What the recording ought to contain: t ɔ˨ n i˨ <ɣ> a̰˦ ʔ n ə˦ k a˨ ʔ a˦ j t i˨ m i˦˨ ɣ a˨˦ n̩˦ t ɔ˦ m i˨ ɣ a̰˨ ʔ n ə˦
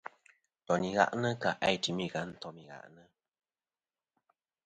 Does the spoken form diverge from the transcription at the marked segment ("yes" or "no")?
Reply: no